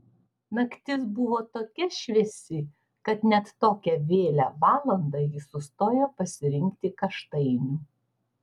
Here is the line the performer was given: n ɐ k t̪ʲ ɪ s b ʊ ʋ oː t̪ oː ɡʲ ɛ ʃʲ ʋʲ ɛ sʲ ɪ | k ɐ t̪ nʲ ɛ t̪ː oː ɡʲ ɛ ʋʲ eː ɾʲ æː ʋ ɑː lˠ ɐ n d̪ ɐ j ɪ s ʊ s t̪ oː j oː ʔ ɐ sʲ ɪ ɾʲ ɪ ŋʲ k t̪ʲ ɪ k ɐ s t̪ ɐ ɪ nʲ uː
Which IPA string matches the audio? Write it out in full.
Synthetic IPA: n ɐ k t̪ʲ ɪ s b ʊ ʋ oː t̪ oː kʲ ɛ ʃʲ ʋʲ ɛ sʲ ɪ | k ɐ t̪ nʲ ɛ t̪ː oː kʲ ɛ ʋʲ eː lʲ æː ʋ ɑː lˠ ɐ n d̪ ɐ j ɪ s ʊ s t̪ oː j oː p ɐ sʲ ɪ ɾʲ ɪ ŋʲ k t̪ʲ ɪ k ɐ ʃ t̪ ɐ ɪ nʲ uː